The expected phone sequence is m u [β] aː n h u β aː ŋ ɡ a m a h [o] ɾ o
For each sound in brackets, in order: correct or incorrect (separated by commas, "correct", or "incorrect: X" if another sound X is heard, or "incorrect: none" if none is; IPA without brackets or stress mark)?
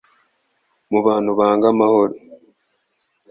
correct, correct